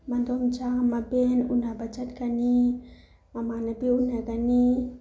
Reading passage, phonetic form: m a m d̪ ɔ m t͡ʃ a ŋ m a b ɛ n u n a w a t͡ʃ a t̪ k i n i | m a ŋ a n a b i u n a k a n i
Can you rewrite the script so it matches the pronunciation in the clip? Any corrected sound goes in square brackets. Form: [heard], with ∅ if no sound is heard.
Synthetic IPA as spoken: m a [n] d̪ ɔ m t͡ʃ a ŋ m a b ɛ n u n a [b] a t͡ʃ a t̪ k [a] n i | m a [m] a n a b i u n a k a n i